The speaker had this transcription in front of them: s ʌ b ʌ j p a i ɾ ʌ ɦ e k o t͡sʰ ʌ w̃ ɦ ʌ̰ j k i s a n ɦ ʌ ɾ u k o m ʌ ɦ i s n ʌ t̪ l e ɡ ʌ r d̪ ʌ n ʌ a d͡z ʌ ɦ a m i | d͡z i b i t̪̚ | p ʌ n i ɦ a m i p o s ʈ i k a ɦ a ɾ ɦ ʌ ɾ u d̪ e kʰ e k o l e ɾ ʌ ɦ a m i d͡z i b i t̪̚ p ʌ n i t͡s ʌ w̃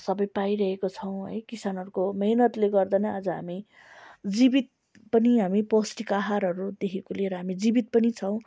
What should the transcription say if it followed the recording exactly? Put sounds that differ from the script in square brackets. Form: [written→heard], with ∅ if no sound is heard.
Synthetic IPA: s ʌ b ʌ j p a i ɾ ʌ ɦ e k o t͡sʰ ʌ w̃ ɦ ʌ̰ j k i s a n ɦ ʌ ɾ u k o m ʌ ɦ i [s→∅] n ʌ t̪ l e ɡ ʌ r d̪ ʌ n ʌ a d͡z ʌ ɦ a m i | d͡z i b i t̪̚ | p ʌ n i ɦ a m i p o s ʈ i k a ɦ a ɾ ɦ ʌ ɾ u d̪ e kʰ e k o l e ɾ ʌ ɦ a m i d͡z i b i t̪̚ p ʌ n i [t͡s→t͡sʰ] ʌ w̃